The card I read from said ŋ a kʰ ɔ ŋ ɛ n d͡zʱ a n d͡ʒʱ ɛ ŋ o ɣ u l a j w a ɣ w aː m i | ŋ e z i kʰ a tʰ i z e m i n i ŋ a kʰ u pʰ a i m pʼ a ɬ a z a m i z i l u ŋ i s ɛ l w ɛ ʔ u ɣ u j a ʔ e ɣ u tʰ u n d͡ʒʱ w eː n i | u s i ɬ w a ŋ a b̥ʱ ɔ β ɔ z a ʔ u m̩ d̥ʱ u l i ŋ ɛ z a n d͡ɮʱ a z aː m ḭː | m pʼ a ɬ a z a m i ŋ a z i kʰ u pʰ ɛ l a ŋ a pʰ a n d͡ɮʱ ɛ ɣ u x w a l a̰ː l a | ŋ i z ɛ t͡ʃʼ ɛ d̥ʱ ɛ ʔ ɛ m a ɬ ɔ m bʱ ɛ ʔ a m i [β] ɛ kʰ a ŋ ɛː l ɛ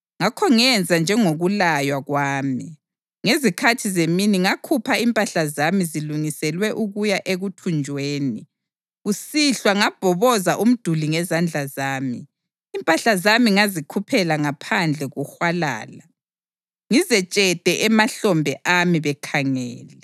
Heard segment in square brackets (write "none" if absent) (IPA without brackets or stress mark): β